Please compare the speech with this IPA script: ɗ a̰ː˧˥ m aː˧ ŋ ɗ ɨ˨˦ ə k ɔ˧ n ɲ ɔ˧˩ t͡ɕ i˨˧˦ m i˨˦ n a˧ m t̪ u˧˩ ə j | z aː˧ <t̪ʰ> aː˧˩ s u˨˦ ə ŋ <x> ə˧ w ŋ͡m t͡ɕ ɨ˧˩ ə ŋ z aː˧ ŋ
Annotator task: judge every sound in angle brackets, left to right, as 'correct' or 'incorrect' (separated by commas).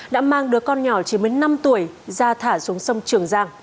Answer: correct, incorrect